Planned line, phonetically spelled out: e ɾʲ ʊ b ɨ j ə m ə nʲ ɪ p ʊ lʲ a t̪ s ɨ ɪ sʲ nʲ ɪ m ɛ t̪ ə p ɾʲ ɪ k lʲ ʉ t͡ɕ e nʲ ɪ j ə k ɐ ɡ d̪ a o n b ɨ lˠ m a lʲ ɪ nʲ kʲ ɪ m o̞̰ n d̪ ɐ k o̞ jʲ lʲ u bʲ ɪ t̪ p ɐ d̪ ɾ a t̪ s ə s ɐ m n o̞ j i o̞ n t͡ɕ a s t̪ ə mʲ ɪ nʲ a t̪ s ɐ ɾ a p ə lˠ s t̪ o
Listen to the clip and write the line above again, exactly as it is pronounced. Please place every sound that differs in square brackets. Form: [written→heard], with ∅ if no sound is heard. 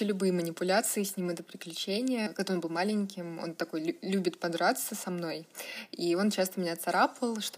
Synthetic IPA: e [ɾʲ→lʲ] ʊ b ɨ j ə m ə nʲ ɪ p ʊ lʲ a t̪ s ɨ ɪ sʲ nʲ [ɪ→i] m ɛ t̪ ə p ɾʲ ɪ k lʲ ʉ t͡ɕ e nʲ ɪ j ə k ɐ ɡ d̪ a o n b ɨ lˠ m a lʲ ɪ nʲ kʲ ɪ m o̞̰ n [d̪→t̪] ɐ k o̞ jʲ lʲ u bʲ ɪ t̪ p ɐ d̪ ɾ a t̪ s ə s ɐ m n o̞ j i o̞ n t͡ɕ a s t̪ ə mʲ ɪ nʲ a t̪ s ɐ ɾ a p ə lˠ [s→ʂ] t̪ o